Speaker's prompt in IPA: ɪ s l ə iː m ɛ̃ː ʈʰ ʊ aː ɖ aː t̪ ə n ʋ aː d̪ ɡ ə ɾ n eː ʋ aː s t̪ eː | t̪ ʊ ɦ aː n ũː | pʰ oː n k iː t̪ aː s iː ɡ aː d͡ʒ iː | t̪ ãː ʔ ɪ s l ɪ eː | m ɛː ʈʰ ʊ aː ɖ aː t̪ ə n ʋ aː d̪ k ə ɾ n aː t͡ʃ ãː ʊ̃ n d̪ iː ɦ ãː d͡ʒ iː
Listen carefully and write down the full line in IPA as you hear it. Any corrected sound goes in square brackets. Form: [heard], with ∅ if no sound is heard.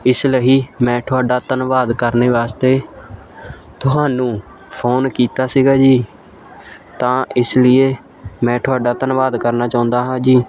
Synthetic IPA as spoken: ɪ s l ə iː m ɛ̃ː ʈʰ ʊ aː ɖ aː t̪ ə n ʋ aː d̪ [k] ə ɾ n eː ʋ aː s t̪ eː | t̪ ʊ ɦ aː n ũː | pʰ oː n k iː t̪ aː s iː ɡ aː d͡ʒ iː | t̪ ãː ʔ ɪ s l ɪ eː | m [ɛ̃ː] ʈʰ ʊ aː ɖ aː t̪ ə n ʋ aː d̪ k ə ɾ n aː t͡ʃ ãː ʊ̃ n d̪ [aː] ɦ ãː d͡ʒ iː

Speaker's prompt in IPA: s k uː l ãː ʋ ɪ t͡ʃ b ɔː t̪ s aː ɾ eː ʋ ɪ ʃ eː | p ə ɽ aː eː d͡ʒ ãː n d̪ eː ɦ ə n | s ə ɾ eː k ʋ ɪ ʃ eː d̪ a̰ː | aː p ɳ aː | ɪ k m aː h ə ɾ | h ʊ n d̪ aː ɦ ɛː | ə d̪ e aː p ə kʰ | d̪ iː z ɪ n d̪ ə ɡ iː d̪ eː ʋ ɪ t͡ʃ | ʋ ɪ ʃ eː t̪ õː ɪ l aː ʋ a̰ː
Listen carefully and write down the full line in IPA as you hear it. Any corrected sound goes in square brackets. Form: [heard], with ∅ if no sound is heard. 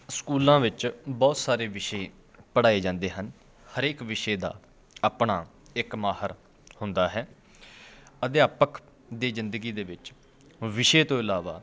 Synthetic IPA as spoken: s k uː l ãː ʋ ɪ t͡ʃ b ɔː t̪ s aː ɾ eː ʋ ɪ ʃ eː | p ə ɽ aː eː d͡ʒ ãː n d̪ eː ɦ ə n | [h] ə ɾ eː k ʋ ɪ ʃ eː d̪ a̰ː | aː p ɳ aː | ɪ k m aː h ə ɾ | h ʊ n d̪ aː ɦ ɛː | ə d̪ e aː p ə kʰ | d̪ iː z ɪ n d̪ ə ɡ iː d̪ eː ʋ ɪ t͡ʃ | ʋ ɪ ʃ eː t̪ õː ɪ l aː ʋ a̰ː

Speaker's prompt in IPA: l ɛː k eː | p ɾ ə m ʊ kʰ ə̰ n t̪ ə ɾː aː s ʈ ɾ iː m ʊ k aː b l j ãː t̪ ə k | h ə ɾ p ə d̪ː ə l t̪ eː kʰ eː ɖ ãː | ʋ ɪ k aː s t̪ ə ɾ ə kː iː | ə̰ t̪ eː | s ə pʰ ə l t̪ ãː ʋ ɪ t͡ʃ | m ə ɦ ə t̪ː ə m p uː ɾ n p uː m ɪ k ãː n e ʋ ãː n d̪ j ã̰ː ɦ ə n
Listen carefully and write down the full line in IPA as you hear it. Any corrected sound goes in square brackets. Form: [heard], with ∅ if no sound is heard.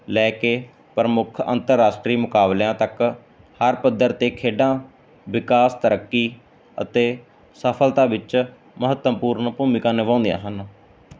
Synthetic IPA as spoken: l ɛː k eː | p ɾ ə m ʊ kʰ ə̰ n t̪ ə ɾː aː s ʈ ɾ iː m ʊ k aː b l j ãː t̪ ə k | h ə ɾ p ə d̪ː ə [ɾ] t̪ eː kʰ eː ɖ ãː | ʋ ɪ k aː s t̪ ə ɾ ə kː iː | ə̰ t̪ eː | s ə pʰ ə l t̪ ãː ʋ ɪ t͡ʃ | m ə ɦ ə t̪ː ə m p uː ɾ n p uː m ɪ k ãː n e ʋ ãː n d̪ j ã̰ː ɦ ə n

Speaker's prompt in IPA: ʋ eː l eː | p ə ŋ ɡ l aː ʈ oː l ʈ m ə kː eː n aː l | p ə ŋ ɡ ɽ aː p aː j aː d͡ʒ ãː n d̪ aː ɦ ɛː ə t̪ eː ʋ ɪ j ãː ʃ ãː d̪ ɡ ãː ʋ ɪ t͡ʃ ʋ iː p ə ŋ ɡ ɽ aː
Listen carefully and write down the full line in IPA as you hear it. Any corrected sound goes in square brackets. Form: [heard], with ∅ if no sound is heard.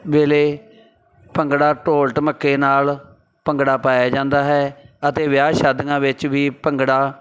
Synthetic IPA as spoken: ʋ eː l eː | p ə ŋ ɡ [ɽ] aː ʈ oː l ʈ m ə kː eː n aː l | p ə ŋ ɡ ɽ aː p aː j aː d͡ʒ ãː n d̪ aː ɦ ɛː ə t̪ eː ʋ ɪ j [aː] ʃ [aː] d̪ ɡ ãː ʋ ɪ t͡ʃ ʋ iː p ə ŋ ɡ ɽ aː

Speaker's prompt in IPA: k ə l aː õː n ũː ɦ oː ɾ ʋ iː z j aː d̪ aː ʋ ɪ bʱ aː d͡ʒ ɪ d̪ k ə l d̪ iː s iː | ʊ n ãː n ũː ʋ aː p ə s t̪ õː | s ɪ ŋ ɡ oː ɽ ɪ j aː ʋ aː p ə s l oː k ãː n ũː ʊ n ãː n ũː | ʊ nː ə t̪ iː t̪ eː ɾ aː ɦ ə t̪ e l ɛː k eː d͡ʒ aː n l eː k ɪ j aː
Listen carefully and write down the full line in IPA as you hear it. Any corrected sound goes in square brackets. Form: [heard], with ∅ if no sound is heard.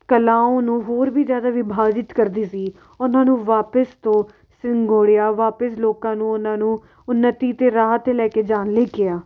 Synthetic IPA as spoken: k ə l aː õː n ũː ɦ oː ɾ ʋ iː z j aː d̪ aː ʋ ɪ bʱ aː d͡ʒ ɪ [t̪] k ə [ɾ] d̪ iː s iː | ʊ n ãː n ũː ʋ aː p ə s t̪ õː | s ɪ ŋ ɡ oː ɽ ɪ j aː ʋ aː p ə s l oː k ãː n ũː ʊ n ãː n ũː | ʊ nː ə t̪ iː t̪ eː ɾ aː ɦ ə t̪ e l ɛː k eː d͡ʒ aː n l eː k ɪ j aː

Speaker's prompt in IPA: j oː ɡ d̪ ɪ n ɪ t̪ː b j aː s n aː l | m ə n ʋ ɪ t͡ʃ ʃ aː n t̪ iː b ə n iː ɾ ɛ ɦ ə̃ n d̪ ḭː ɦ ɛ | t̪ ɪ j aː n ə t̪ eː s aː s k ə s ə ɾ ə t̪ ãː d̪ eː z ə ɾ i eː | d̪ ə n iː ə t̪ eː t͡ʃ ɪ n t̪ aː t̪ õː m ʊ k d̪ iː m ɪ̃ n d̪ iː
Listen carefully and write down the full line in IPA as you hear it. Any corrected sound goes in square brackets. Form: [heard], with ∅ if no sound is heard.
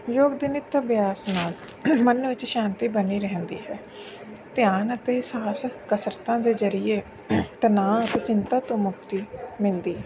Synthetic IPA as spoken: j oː ɡ d̪ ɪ n ɪ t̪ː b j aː s n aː l | m ə n ʋ ɪ t͡ʃ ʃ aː n t̪ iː b ə n iː ɾ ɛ ɦ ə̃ n d̪ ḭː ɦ [ɛː] | t̪ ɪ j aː n ə t̪ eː s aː s k ə s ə ɾ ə t̪ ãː d̪ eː z ə ɾ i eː | [t̪] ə n [aː] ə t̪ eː t͡ʃ ɪ n t̪ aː t̪ õː m ʊ k [t̪] iː m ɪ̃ n d̪ iː

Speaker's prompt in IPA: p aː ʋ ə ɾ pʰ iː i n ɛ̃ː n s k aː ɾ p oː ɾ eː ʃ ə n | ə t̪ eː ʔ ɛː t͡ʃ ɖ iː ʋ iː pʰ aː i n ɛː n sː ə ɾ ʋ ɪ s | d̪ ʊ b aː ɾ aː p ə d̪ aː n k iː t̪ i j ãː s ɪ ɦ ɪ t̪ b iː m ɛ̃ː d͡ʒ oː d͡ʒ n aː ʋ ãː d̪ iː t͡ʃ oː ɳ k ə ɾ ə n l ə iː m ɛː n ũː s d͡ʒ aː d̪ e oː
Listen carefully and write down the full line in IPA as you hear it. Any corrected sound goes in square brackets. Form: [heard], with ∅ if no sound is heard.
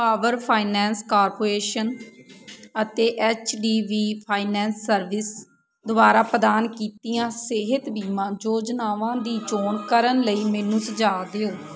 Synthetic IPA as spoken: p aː ʋ ə ɾ pʰ [aː] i n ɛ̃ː n s k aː ɾ p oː ɾ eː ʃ ə n | ə t̪ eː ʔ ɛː t͡ʃ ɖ iː ʋ iː pʰ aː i n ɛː n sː ə ɾ ʋ ɪ s | d̪ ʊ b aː ɾ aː p ə d̪ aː n k iː t̪ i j ãː s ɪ ɦ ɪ t̪ b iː m [ãː] d͡ʒ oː d͡ʒ n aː ʋ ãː d̪ iː t͡ʃ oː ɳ k ə ɾ ə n l ə iː m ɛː n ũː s d͡ʒ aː d̪ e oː

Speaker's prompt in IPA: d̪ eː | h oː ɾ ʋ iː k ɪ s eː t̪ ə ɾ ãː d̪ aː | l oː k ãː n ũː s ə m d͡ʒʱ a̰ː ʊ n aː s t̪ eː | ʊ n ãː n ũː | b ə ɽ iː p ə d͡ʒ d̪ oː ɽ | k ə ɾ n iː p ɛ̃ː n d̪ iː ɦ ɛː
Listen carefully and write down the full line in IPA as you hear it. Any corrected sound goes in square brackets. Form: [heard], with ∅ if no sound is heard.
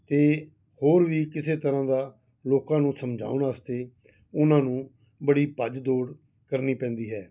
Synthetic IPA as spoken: [t̪] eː | h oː ɾ ʋ iː k ɪ s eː t̪ ə ɾ ãː d̪ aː | l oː k ãː n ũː s ə m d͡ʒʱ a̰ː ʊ n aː s t̪ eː | ʊ n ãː n ũː | b ə ɽ iː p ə d͡ʒ d̪ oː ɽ | k ə ɾ n iː p ɛ̃ː n d̪ iː ɦ ɛː

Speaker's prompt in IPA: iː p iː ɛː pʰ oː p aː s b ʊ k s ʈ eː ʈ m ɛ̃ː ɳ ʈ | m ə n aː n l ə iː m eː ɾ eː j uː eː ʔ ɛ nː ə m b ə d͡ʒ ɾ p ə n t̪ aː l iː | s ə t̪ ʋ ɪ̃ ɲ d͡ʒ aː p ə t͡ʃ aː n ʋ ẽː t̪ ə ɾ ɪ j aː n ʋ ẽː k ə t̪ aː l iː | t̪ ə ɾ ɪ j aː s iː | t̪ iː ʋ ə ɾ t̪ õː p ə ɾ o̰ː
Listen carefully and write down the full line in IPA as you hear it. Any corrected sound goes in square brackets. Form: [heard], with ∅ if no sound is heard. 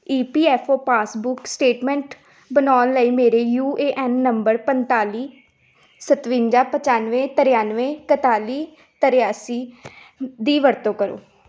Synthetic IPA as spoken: iː p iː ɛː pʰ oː p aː s b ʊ k s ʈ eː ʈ m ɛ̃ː ɳ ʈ | [b] ə n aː n l ə iː m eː ɾ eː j uː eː ʔ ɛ nː ə m b ə [∅] ɾ p ə n t̪ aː l iː | s ə t̪ ʋ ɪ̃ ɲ d͡ʒ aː p ə t͡ʃ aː n ʋ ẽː t̪ ə ɾ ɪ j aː n ʋ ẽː k ə t̪ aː l iː | t̪ ə ɾ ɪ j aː s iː | [d̪] iː ʋ ə ɾ t̪ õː [k] ə ɾ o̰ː

